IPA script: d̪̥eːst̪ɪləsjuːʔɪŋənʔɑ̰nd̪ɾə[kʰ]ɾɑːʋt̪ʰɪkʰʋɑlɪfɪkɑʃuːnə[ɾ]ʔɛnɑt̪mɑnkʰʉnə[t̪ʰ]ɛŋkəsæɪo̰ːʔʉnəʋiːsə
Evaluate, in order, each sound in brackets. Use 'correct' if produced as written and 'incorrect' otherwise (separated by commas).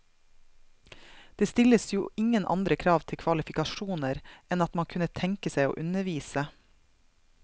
correct, correct, correct